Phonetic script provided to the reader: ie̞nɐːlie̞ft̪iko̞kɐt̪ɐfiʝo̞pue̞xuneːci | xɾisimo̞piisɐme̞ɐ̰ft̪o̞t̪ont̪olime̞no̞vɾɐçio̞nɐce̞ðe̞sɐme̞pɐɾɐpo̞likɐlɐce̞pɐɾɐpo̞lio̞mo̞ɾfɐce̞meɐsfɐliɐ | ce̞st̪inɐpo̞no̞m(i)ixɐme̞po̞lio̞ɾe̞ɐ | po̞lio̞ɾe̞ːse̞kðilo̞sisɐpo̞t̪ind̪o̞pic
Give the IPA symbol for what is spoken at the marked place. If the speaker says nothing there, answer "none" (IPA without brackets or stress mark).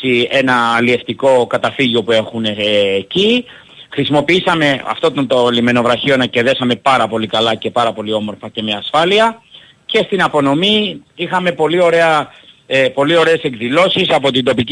i